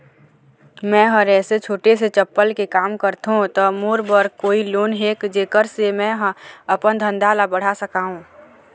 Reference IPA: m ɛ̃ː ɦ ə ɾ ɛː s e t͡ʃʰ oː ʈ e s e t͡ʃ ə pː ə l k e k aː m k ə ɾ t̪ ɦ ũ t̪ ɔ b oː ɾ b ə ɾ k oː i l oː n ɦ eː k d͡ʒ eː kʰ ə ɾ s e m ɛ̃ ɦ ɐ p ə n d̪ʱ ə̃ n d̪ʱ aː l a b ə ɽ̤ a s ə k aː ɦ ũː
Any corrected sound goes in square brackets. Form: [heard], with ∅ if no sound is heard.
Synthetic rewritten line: m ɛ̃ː ɦ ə ɾ ɛː s e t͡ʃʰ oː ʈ e s e t͡ʃ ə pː ə l k e k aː m k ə ɾ t̪ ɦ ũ t̪ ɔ [m] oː ɾ b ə ɾ k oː i l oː n ɦ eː k d͡ʒ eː [k] ə ɾ s e m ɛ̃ ɦ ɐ p ə n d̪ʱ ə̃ n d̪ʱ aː l a b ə ɽ̤ a s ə k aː ɦ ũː

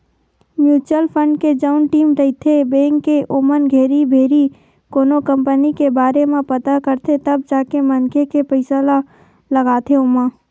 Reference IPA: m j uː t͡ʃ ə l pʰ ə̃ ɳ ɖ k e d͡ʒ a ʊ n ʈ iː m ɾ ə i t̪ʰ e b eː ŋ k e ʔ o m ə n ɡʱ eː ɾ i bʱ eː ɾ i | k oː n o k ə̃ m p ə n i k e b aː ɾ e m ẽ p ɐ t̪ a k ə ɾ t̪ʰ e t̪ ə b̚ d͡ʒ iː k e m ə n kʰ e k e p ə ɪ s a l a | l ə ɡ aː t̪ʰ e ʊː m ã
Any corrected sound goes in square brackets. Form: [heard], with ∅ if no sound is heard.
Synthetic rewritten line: m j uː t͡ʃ ə l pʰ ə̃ ɳ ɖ k e d͡ʒ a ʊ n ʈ iː m ɾ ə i t̪ʰ e b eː ŋ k e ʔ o m ə n ɡʱ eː ɾ i bʱ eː ɾ i | k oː n o k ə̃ m p ə n i k e b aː ɾ e m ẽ p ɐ t̪ a k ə ɾ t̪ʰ e t̪ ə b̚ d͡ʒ [aː] k e m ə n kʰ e k e p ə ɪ s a l a | l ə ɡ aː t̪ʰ e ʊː m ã

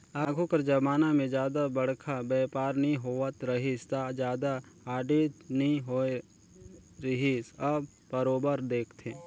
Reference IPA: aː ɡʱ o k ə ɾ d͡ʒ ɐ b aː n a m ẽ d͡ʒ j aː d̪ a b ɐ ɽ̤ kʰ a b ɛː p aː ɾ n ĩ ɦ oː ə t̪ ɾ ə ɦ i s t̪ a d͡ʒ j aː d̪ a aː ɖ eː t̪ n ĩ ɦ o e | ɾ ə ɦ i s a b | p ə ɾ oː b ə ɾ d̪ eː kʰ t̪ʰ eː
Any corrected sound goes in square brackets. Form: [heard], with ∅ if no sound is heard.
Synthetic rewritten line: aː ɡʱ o k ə ɾ d͡ʒ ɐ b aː n a m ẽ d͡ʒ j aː d̪ a b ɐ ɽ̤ kʰ a b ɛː p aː ɾ n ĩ ɦ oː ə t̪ ɾ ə ɦ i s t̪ a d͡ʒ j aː d̪ a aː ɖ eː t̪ n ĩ ɦ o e | ɾ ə ɦ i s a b | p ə ɾ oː b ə ɾ d̪ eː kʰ t̪ʰ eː

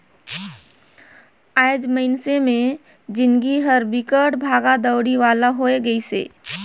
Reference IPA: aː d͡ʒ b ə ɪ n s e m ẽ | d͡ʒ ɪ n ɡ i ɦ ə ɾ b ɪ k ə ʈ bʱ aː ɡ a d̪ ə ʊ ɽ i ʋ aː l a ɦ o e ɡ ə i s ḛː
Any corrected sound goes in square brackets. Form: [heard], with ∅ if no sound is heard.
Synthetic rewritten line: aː d͡ʒ [m] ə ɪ n s e m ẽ | d͡ʒ ɪ n ɡ i ɦ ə ɾ b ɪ k ə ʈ bʱ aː ɡ a d̪ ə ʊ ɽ i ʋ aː l a ɦ o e ɡ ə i s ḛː

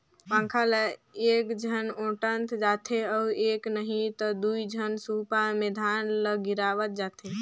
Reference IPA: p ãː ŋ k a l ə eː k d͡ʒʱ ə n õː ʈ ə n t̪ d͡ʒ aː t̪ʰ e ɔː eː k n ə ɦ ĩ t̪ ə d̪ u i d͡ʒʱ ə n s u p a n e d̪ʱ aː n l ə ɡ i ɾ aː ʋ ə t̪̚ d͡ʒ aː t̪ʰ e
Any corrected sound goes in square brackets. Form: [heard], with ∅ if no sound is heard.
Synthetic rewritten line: p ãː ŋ [kʰ] a l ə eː k d͡ʒʱ ə n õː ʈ ə n t̪ d͡ʒ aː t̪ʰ e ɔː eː k n ə ɦ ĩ t̪ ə d̪ u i d͡ʒʱ ə n s u p a [m] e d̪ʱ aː n l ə ɡ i ɾ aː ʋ ə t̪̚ d͡ʒ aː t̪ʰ e

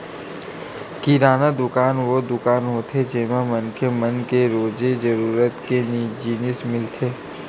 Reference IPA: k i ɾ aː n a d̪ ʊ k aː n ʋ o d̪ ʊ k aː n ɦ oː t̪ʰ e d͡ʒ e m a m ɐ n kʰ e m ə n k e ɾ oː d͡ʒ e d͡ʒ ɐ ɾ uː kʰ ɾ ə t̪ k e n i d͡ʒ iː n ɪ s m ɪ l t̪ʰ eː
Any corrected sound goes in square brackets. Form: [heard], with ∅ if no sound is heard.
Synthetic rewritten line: k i ɾ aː n a d̪ ʊ k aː n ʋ o d̪ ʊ k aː n ɦ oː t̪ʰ e d͡ʒ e m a m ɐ n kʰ e m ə n k e ɾ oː d͡ʒ e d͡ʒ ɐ ɾ uː [∅] ɾ ə t̪ k e n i d͡ʒ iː n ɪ s m ɪ l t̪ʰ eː

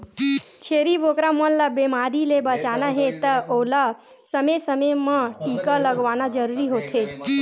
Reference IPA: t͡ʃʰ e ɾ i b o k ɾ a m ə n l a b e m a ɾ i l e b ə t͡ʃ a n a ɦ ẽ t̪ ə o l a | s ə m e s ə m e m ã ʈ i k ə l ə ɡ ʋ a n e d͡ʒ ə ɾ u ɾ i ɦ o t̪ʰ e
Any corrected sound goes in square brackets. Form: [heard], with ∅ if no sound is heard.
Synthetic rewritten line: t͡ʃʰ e ɾ i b o k ɾ a m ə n l a b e m a ɾ i l e b ə t͡ʃ a n a ɦ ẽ t̪ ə o l a | s ə m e s ə m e m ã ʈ i k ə l ə ɡ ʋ a n [a] d͡ʒ ə ɾ u ɾ i ɦ o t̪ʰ e

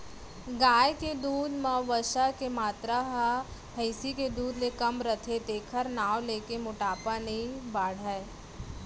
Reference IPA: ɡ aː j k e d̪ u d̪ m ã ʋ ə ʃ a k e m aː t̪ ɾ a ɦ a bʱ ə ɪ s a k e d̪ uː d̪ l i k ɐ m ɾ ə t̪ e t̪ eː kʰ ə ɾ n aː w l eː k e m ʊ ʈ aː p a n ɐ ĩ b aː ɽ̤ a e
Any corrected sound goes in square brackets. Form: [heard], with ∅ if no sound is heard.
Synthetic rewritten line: ɡ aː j k e d̪ [uː] d̪ m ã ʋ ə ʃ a k e m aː t̪ ɾ a ɦ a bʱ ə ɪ s [i] k e d̪ uː d̪ l [e] k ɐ m ɾ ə [t̪ʰ] e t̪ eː kʰ ə ɾ n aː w l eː k e m ʊ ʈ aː p a n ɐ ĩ b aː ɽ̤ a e

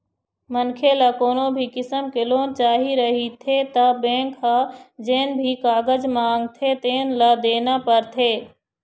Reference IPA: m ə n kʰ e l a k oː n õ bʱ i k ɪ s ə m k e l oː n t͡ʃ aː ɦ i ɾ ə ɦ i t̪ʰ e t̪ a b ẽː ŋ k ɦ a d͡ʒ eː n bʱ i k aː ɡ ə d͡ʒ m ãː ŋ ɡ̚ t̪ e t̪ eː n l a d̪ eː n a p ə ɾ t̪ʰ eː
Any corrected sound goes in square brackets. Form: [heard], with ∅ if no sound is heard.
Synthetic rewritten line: m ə n kʰ e l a k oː n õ bʱ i k ɪ s ə m k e l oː n t͡ʃ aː ɦ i ɾ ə ɦ i t̪ʰ e t̪ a b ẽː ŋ k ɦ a d͡ʒ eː n bʱ i k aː ɡ ə d͡ʒ m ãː ŋ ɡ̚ [t̪ʰ] e t̪ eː n l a d̪ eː n a p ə ɾ t̪ʰ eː

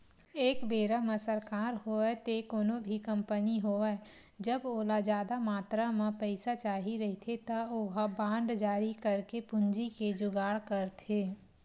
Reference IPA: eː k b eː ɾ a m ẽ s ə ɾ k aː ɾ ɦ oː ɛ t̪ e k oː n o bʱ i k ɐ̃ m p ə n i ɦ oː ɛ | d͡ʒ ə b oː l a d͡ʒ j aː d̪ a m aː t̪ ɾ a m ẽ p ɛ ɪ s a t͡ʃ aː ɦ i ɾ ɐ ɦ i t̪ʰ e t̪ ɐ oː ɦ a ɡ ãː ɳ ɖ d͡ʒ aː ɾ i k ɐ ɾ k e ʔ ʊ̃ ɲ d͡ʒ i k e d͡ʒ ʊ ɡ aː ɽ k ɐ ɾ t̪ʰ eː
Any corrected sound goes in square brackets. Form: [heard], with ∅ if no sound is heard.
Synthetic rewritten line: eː k b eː ɾ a m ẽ s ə ɾ k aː ɾ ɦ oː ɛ t̪ e k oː n o bʱ i k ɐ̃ m p ə n i ɦ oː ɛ | d͡ʒ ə b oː l a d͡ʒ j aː d̪ a m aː t̪ ɾ a m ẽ p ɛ ɪ s a t͡ʃ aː ɦ i ɾ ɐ ɦ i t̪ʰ e t̪ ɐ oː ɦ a [b] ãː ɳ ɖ d͡ʒ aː ɾ i k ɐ ɾ k e [p] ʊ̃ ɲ d͡ʒ i k e d͡ʒ ʊ ɡ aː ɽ k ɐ ɾ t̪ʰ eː

